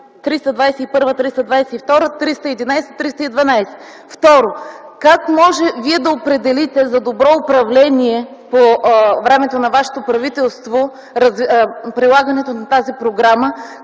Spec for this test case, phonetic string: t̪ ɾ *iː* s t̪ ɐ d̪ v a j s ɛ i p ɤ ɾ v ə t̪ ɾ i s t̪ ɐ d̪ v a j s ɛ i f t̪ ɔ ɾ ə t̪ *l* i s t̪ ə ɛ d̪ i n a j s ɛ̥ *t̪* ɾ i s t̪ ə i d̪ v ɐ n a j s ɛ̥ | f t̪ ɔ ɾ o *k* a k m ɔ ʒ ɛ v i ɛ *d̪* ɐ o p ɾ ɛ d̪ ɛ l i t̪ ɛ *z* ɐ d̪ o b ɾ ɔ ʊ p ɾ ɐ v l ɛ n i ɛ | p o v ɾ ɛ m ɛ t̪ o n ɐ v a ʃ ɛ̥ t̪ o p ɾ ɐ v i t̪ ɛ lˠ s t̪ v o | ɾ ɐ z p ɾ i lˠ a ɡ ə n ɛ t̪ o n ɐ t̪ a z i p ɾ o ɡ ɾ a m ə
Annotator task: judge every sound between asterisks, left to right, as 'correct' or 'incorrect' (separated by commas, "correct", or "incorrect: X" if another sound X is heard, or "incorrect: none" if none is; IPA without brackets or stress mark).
incorrect: i, incorrect: ɾ, correct, correct, correct, correct